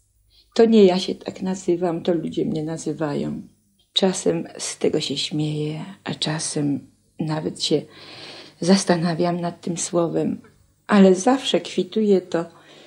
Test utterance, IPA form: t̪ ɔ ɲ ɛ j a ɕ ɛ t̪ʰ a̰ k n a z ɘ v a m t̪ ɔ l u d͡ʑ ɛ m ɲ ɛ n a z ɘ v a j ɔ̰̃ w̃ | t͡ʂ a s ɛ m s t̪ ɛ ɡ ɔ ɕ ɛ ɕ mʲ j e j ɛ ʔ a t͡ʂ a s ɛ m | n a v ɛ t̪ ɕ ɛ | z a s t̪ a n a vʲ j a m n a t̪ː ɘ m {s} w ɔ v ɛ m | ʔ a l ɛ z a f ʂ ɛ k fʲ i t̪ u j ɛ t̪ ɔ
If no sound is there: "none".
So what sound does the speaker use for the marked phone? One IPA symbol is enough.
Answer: s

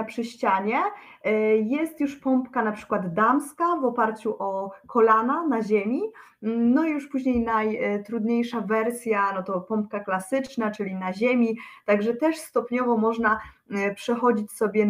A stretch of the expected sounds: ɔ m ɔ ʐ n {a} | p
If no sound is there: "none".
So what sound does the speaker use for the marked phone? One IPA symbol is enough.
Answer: a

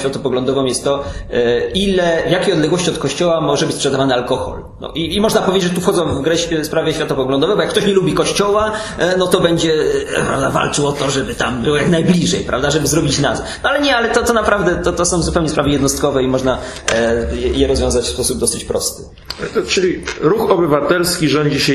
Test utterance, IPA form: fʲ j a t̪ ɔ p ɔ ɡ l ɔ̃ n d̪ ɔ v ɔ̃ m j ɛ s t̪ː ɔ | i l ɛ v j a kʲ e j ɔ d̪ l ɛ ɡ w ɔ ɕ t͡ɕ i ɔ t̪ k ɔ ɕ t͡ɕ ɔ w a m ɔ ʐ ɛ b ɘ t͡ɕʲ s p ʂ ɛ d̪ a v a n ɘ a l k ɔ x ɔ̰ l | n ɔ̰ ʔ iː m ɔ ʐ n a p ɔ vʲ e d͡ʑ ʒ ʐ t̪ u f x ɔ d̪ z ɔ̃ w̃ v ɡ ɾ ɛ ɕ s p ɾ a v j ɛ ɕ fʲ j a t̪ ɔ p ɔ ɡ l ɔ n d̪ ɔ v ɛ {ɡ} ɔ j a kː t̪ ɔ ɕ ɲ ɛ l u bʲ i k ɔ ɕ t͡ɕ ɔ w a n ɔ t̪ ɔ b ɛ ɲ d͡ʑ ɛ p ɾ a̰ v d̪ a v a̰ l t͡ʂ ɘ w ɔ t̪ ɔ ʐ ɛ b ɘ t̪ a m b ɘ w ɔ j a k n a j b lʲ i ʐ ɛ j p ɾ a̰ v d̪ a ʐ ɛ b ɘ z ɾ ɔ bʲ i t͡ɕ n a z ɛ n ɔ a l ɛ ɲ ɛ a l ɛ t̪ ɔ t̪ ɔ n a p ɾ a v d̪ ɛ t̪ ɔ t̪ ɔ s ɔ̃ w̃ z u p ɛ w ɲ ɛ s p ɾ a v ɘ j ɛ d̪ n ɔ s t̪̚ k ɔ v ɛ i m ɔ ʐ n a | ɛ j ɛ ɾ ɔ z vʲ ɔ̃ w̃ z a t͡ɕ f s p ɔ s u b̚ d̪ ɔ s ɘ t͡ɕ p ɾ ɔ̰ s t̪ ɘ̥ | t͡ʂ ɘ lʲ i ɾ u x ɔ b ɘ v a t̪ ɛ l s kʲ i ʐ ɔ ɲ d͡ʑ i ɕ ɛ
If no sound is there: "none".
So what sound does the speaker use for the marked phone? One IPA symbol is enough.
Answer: b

